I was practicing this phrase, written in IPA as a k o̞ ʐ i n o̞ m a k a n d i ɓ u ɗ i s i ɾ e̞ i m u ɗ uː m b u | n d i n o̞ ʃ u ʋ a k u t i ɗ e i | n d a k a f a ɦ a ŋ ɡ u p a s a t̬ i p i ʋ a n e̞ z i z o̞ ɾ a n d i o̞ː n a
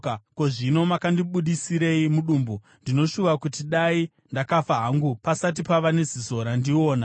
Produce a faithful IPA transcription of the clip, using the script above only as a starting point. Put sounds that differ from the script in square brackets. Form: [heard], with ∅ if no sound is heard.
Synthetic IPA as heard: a k o̞ ʐ i n o̞ m a k a n d i ɓ u ɗ i s i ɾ e̞ i m u ɗ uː m b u | n d i n o̞ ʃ u ʋ a k u t i ɗ [a] i | n d a k a f a ɦ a ŋ ɡ u p a s a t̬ i p [a] ʋ a n e̞ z i z o̞ ɾ a n d i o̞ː n a